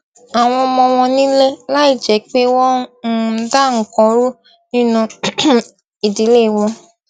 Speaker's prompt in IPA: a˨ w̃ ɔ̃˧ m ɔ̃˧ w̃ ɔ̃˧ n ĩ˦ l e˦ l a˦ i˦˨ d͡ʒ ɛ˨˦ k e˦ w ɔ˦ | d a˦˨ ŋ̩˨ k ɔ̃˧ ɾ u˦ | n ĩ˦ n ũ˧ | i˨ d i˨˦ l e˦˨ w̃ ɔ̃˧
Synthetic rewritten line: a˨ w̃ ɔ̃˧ m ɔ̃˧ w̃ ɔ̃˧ n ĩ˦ l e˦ l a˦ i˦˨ d͡ʒ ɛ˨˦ k͡p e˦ w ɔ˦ | d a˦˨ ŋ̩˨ k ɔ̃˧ ɾ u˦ | n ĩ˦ n ũ˧ | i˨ d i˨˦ l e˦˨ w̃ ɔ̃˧